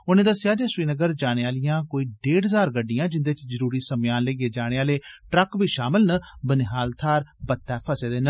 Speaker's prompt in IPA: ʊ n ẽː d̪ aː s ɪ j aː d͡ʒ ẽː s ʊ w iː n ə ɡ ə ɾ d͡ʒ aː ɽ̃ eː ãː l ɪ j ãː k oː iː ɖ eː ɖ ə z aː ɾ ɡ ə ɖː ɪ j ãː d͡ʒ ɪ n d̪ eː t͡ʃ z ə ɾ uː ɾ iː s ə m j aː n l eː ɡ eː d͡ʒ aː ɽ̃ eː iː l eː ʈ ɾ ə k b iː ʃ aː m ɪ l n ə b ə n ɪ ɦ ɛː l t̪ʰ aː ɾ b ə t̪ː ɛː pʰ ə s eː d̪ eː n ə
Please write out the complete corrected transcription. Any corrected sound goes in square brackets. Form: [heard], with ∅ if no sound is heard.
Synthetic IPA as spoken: ʊ n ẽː d̪ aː s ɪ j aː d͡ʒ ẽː s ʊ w iː n ə ɡ ə ɾ d͡ʒ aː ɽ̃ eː [aː] l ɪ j ãː k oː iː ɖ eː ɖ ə z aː ɾ ɡ ə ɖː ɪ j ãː d͡ʒ ɪ n d̪ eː t͡ʃ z ə ɾ uː ɾ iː s ə m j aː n l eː ɡ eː d͡ʒ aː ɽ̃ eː [aː] l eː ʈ ɾ ə k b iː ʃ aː m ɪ l n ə b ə n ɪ ɦ [aː] l t̪ʰ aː ɾ b ə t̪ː ɛː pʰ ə s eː d̪ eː n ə